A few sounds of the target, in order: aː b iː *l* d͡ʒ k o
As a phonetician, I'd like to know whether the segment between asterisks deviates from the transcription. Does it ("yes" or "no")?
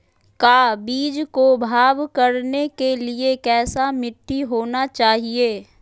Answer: yes